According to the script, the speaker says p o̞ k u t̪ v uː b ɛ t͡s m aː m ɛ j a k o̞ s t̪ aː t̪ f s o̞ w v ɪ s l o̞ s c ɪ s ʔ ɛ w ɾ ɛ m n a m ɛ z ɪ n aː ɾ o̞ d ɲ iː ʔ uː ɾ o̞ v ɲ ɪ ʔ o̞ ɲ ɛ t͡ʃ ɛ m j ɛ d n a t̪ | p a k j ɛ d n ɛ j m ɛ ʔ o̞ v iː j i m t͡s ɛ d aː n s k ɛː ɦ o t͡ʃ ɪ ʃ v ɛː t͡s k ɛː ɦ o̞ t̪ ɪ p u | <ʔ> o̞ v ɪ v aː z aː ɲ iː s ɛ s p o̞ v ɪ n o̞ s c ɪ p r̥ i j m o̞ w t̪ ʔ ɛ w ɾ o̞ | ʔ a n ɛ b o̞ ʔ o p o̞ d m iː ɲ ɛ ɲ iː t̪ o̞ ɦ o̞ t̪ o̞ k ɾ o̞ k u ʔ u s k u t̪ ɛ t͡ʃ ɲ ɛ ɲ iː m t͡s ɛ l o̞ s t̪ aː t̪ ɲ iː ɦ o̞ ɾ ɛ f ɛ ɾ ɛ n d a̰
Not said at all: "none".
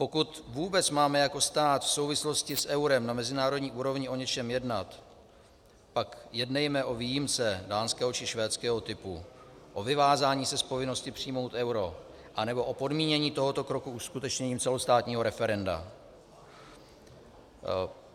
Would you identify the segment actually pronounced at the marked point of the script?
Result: ʔ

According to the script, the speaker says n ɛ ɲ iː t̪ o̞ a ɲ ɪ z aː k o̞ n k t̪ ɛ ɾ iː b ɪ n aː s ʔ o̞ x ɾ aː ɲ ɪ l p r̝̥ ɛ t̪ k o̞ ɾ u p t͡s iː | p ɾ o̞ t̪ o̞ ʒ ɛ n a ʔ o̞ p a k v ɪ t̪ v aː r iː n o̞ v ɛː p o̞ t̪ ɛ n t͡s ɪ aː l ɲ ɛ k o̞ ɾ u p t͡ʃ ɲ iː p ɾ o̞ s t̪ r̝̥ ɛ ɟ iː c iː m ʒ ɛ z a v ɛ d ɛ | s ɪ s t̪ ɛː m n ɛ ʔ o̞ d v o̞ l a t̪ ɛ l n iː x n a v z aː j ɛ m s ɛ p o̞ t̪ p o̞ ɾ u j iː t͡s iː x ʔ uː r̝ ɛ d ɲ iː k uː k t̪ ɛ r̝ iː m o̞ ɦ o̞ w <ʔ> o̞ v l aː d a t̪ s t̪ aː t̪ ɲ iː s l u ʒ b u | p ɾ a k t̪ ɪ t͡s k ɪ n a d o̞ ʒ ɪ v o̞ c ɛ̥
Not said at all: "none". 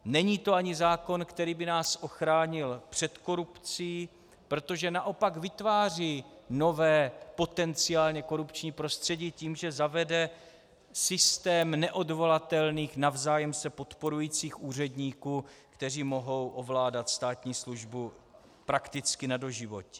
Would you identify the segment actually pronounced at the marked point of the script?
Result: ʔ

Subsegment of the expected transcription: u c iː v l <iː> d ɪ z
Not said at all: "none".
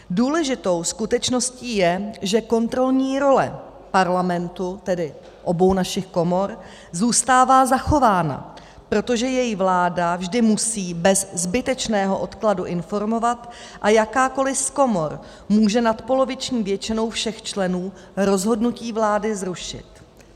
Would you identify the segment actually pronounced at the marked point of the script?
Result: aː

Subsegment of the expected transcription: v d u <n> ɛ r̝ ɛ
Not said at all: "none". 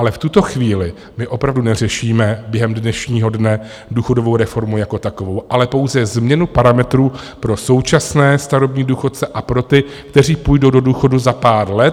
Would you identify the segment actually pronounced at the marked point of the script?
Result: n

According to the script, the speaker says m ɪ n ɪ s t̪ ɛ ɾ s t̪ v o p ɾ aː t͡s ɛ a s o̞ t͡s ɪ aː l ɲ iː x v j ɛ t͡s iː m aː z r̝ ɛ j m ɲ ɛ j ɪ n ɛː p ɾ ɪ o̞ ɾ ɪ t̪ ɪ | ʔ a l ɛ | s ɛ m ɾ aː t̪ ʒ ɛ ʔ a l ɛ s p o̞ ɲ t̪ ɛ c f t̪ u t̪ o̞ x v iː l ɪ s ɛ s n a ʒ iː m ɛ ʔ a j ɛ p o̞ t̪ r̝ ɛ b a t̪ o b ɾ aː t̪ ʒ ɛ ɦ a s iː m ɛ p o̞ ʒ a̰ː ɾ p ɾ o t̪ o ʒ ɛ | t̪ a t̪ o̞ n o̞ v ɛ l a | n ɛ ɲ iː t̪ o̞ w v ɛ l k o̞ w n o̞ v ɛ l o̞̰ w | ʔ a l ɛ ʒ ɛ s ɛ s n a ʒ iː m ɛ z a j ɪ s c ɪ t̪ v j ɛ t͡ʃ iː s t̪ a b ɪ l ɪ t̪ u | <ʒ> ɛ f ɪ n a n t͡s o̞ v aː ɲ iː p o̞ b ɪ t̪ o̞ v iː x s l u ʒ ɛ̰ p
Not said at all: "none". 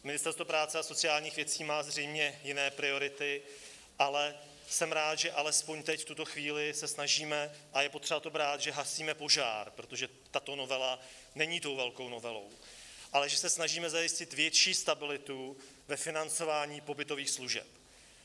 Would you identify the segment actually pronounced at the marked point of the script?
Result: v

